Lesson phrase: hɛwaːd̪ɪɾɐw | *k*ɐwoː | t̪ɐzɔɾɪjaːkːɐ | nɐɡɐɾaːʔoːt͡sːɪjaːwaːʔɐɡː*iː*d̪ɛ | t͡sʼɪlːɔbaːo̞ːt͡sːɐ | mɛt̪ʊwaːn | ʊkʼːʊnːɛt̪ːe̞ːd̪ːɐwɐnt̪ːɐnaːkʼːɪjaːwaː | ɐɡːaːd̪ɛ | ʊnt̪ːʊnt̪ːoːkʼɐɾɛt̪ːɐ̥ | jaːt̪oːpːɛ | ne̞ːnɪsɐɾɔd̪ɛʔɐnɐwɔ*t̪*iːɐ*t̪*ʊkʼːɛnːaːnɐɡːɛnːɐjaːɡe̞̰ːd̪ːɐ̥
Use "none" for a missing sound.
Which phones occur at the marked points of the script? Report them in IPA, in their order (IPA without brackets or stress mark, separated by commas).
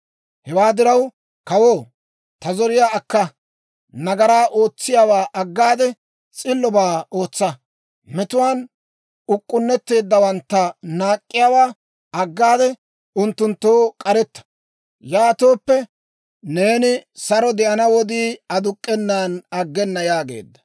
k, aː, d̪, d̪